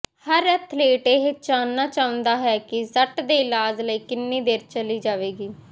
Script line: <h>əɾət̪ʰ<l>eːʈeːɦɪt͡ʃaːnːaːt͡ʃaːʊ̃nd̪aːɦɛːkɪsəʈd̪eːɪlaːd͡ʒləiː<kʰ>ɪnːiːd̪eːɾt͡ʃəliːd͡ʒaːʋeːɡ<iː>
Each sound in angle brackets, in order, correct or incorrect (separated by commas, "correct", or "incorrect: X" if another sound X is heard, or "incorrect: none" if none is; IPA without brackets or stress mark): correct, correct, incorrect: k, correct